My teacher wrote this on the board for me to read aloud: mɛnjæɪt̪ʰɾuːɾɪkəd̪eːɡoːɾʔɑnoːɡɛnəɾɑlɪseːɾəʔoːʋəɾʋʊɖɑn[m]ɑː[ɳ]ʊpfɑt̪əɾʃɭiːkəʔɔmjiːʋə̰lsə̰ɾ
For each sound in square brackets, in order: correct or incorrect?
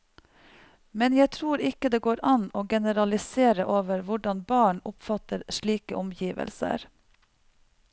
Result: incorrect: b, correct

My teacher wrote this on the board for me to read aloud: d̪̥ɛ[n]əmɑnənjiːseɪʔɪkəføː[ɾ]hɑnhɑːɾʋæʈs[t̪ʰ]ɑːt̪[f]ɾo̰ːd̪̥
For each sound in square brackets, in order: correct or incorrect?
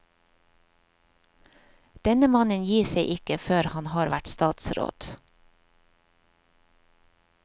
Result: correct, correct, incorrect: t̪, incorrect: s

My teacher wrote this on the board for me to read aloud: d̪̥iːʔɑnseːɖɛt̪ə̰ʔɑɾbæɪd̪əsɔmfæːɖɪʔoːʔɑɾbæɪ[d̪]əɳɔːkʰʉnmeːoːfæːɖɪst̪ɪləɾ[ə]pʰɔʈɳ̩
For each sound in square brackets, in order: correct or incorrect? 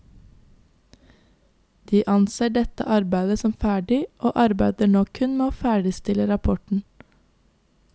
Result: correct, incorrect: ɑ

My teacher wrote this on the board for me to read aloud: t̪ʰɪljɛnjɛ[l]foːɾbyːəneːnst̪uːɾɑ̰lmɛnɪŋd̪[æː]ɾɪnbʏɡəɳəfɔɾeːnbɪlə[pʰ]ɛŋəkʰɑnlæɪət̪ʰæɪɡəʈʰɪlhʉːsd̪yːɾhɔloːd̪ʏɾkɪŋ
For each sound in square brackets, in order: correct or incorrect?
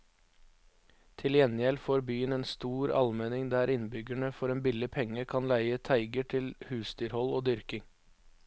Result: correct, correct, correct

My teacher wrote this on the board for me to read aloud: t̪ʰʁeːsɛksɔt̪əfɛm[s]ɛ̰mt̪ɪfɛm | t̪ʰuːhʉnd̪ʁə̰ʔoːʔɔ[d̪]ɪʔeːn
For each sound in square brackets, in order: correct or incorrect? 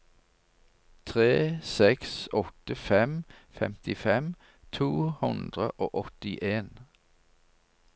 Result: incorrect: f, incorrect: t̪

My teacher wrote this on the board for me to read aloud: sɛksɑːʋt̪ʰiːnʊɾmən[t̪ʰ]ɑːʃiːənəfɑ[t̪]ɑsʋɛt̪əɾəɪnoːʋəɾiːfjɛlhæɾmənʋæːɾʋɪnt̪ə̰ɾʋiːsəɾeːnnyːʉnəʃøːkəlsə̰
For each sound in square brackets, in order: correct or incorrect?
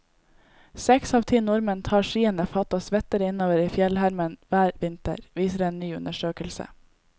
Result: correct, correct

